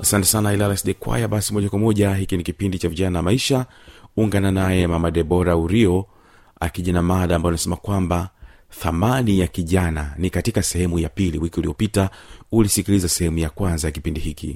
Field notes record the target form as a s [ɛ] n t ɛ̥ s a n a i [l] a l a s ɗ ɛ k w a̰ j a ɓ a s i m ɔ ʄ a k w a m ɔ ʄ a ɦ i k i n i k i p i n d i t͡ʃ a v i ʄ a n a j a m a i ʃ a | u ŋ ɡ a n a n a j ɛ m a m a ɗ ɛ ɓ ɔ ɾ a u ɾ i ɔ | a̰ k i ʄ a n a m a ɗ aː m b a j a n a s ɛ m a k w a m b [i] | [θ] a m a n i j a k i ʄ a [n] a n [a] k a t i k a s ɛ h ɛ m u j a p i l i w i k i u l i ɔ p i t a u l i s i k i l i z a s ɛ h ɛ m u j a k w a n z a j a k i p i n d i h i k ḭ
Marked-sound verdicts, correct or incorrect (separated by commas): incorrect, correct, incorrect, correct, correct, incorrect